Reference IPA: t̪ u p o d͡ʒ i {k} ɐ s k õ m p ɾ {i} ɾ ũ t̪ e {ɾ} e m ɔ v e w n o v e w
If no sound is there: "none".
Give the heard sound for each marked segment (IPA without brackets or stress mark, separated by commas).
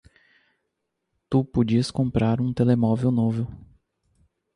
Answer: none, a, l